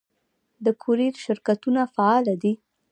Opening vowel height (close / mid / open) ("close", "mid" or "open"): mid